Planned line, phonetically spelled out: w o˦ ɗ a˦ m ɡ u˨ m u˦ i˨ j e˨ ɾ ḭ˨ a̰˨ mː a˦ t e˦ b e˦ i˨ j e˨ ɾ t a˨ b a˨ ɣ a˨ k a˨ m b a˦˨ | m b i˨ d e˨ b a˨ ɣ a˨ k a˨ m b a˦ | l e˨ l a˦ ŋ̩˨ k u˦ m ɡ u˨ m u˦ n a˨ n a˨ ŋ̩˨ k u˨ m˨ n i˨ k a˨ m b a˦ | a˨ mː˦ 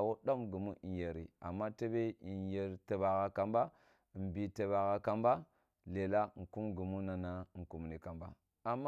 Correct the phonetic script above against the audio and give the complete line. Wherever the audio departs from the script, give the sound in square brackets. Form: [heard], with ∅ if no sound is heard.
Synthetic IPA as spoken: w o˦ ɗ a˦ m ɡ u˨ m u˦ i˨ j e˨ ɾ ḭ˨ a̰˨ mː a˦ t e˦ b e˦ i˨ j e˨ ɾ t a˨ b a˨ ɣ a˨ k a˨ m b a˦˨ | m b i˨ [t] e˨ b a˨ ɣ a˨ k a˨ m b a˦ | l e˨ l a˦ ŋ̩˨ k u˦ m ɡ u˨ m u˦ n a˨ n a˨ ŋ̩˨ k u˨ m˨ n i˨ k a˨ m b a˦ | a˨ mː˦